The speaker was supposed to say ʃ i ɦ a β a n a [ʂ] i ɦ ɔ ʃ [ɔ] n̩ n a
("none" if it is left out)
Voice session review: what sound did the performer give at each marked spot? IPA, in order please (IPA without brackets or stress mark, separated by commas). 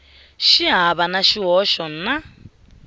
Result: ʃ, ɔ